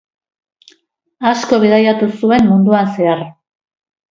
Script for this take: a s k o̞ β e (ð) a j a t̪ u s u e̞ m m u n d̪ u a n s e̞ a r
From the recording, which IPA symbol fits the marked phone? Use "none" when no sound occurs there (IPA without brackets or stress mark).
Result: ð